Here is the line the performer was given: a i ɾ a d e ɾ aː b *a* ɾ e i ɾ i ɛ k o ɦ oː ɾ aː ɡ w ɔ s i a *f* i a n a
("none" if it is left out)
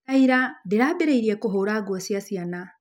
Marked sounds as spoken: e, s

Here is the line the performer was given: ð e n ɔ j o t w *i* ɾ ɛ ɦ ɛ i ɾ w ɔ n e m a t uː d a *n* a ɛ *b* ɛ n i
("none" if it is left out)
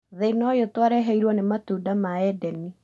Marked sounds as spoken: a, m, d

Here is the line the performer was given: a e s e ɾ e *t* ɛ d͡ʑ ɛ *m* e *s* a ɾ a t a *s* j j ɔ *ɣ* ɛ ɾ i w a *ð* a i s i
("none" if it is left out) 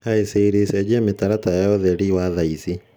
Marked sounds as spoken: s, m, t, none, ð, ð

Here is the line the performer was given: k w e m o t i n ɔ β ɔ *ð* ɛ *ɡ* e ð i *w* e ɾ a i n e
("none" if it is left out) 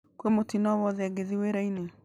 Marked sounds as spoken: ð, ɡ, w

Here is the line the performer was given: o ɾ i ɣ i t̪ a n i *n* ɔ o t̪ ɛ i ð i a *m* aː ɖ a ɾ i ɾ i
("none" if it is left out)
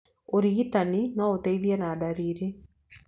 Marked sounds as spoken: n, n

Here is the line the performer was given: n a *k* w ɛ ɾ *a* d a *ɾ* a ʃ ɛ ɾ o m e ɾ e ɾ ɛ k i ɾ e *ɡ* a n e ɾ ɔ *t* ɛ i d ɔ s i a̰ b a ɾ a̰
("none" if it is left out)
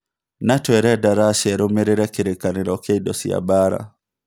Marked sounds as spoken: t, ɛ, ɾ, k, k

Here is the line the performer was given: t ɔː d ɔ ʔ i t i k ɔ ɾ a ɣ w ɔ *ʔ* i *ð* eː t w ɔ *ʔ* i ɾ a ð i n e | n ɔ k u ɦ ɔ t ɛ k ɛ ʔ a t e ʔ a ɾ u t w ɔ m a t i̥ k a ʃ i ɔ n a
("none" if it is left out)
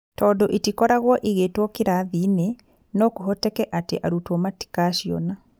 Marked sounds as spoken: ʔ, ɣ, k

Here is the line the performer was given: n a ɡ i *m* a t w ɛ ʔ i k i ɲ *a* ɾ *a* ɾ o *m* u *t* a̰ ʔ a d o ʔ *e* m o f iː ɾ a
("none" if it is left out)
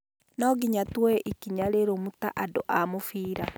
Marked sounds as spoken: ɲ, a, e, m, t, a

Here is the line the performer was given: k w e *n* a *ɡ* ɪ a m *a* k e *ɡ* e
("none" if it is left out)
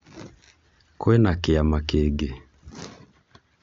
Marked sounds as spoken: n, k, a, ɡ

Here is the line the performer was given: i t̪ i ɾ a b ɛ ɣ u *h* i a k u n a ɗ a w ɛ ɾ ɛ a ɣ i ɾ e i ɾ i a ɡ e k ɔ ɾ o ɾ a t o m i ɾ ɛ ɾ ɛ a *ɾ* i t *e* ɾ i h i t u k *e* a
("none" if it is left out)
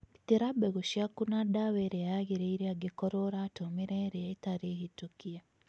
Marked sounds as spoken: ʃ, none, a, i

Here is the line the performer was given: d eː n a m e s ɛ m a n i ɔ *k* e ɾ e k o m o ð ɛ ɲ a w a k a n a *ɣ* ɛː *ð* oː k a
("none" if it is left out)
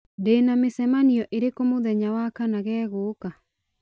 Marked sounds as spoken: ʔ, ɣ, ɣ

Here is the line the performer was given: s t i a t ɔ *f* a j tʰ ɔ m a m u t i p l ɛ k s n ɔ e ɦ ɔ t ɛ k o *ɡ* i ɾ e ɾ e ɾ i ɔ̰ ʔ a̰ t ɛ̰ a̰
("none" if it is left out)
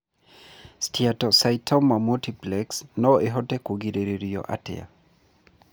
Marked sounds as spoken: s, ɡ

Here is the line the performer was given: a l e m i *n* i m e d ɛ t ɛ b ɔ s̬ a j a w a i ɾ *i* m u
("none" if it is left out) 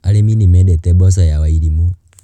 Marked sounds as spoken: n, i

